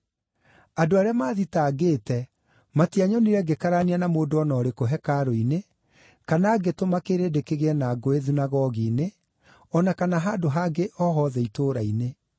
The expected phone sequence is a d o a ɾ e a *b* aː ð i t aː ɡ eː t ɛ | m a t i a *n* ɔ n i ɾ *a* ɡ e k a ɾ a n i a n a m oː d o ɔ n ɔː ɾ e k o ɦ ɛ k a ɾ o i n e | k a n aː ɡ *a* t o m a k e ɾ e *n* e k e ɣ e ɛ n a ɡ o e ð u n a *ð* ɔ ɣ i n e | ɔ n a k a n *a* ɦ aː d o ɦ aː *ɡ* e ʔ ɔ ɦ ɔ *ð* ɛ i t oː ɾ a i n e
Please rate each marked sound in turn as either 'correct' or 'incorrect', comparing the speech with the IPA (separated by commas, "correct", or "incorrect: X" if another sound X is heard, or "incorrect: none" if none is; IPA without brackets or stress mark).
incorrect: m, incorrect: ɲ, incorrect: ɛ, incorrect: e, incorrect: d, incorrect: ɣ, correct, correct, correct